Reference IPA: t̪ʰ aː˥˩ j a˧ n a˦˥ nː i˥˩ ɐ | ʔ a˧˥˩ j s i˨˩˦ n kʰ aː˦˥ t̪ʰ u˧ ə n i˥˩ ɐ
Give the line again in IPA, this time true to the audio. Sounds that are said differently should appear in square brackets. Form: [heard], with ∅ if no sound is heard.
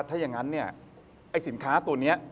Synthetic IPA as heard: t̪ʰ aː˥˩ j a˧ [ŋ] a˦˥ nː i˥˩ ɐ | ʔ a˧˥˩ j s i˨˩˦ n kʰ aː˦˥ [t̪] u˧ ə n [i˦˥] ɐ